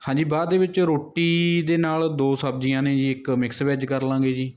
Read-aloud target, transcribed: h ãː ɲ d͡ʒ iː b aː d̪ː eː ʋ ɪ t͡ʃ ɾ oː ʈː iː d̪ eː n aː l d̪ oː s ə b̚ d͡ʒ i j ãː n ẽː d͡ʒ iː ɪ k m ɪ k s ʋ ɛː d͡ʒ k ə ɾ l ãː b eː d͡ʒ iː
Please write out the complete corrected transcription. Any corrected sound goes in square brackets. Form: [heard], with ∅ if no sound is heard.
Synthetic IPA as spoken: h ãː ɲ d͡ʒ iː b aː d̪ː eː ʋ ɪ t͡ʃ ɾ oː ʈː iː d̪ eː n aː l d̪ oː s ə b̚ d͡ʒ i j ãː n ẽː d͡ʒ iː ɪ k m ɪ k s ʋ ɛː d͡ʒ k ə ɾ l ãː [ɡ] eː d͡ʒ iː